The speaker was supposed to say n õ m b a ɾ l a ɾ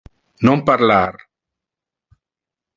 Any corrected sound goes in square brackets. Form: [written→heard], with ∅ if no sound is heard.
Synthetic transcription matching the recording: n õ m [b→p] a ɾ l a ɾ